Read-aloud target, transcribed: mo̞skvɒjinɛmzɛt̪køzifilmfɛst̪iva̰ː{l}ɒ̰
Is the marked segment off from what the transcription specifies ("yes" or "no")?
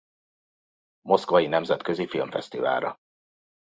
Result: yes